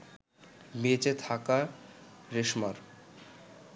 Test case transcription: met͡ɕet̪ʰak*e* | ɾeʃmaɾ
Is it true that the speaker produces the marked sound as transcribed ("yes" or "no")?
no